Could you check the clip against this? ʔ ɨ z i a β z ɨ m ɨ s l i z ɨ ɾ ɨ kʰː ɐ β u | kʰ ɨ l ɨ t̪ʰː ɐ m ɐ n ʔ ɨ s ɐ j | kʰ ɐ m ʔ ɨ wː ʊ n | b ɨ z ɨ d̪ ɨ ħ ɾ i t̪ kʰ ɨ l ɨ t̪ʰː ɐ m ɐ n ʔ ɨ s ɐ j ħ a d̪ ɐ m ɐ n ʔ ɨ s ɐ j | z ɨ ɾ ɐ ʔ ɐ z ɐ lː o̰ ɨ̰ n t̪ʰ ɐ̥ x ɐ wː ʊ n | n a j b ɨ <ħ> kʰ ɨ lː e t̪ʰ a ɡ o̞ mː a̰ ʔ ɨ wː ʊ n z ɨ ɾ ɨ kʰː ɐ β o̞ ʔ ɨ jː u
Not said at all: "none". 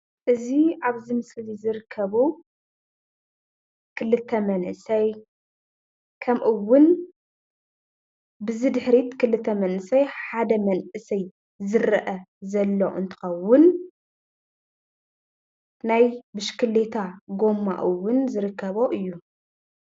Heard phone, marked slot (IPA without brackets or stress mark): ʃ